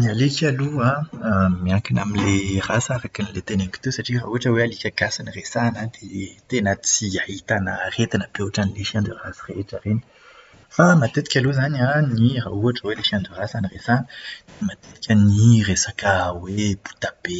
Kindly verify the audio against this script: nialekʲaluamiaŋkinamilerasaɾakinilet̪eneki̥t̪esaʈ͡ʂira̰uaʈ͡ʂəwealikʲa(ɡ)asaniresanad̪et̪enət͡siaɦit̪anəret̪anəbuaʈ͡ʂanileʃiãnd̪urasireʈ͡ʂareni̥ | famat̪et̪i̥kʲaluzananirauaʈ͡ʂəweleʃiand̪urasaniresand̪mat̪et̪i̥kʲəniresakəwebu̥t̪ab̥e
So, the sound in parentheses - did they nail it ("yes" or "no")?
yes